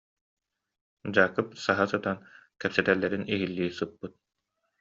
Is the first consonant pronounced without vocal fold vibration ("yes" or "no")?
no